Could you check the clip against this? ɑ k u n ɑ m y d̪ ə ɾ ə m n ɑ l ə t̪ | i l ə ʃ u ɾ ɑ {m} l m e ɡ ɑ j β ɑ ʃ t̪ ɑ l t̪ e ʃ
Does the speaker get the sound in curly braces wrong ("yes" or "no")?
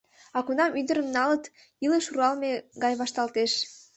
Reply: yes